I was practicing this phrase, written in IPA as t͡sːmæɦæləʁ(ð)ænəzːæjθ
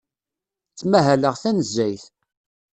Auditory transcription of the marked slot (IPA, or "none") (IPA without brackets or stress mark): θ